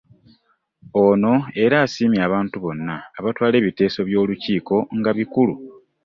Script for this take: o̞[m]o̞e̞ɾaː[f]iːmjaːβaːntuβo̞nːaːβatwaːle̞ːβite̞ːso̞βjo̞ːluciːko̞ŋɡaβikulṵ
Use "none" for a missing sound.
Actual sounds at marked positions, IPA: n, s

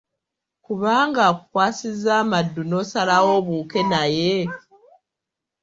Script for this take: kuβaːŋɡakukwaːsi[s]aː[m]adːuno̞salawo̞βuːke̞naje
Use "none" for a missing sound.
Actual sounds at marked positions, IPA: z, m

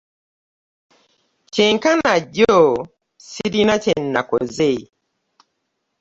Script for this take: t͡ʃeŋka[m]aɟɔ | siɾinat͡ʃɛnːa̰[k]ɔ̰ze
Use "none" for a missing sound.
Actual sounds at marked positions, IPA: n, k

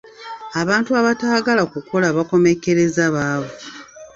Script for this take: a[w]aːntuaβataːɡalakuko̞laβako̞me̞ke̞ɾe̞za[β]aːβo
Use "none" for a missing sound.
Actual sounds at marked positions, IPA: β, β

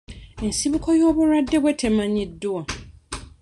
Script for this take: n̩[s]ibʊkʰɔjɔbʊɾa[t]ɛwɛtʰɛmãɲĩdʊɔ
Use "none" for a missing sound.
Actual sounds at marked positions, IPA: s, d

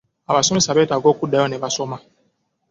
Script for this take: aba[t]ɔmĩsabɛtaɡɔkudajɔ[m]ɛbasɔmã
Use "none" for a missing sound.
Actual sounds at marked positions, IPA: s, n

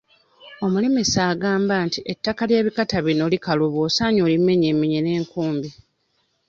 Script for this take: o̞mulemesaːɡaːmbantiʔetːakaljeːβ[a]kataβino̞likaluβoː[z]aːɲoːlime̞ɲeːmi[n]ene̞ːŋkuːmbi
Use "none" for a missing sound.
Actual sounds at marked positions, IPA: i, s, ɲ

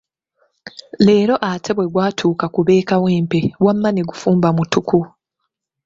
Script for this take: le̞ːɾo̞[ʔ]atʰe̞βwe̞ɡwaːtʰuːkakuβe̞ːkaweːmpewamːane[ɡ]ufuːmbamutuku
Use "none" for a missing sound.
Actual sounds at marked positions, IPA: ʔ, ɡ

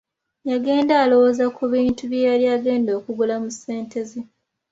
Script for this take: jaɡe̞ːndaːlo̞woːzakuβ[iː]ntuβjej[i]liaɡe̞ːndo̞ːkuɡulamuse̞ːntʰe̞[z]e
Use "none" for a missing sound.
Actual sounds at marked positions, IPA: iː, a, z

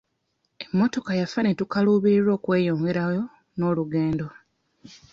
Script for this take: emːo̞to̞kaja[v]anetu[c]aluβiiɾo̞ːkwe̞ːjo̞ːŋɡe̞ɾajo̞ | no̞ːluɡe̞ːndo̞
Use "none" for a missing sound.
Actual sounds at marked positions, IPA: f, k

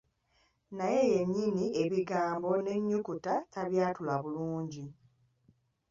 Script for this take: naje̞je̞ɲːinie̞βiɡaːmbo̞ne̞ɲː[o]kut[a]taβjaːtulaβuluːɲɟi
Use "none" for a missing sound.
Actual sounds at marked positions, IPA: u, a

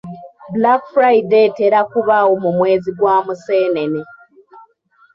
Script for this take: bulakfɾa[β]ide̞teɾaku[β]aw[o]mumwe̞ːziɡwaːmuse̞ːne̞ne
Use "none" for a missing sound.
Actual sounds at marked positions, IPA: none, β, o

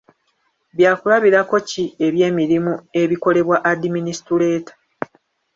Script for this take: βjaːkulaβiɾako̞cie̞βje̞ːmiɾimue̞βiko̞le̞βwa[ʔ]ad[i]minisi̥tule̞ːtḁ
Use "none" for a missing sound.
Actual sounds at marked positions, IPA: ʔ, i

